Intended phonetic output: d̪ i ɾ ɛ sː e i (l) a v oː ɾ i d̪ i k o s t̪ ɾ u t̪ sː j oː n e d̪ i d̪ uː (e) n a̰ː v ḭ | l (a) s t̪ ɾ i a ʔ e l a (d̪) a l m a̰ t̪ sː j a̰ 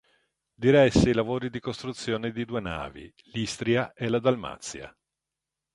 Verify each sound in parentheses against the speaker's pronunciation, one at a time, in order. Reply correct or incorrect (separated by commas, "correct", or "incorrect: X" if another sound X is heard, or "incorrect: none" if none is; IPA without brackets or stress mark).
correct, correct, incorrect: i, correct